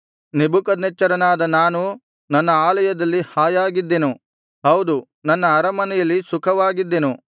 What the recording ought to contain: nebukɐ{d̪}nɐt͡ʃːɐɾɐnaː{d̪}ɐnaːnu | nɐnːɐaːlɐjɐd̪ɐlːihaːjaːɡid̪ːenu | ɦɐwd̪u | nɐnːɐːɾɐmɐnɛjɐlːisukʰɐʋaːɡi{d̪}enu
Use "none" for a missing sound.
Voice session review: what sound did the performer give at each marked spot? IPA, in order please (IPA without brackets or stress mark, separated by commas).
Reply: d̪, d̪, d̪ː